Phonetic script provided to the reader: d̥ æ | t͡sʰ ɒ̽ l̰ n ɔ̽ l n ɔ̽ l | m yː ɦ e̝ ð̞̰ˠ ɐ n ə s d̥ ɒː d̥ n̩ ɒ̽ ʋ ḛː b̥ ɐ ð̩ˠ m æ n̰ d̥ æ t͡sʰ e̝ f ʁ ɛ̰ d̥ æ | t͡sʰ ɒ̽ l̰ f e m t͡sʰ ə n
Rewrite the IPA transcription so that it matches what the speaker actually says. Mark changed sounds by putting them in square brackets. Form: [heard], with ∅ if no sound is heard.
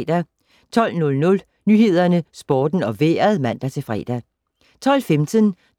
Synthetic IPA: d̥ æ | t͡sʰ ɒ̽ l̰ n ɔ̽ l n ɔ̽ l | [n] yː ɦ e̝ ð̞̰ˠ ɐ n ə s [b̥] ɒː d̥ n̩ ɒ̽ ʋ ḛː [∅] ɐ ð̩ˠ m æ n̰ d̥ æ t͡sʰ e̝ f ʁ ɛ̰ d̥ æ | t͡sʰ ɒ̽ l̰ f e m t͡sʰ ə n